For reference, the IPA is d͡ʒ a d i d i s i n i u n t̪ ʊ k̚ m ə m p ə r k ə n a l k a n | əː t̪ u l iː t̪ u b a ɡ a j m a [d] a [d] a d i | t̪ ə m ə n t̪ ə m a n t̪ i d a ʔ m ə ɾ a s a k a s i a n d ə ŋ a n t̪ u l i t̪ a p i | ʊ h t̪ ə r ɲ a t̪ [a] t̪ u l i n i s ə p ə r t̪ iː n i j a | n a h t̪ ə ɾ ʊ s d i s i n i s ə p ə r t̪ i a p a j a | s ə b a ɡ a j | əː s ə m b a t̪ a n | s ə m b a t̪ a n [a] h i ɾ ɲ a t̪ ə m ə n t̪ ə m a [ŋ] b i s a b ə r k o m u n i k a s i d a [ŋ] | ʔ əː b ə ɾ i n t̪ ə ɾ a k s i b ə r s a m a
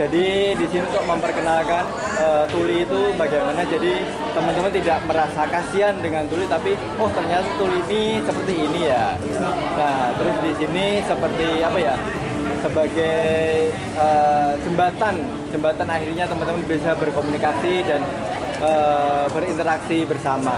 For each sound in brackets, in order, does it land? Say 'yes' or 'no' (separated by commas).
no, no, yes, yes, no, no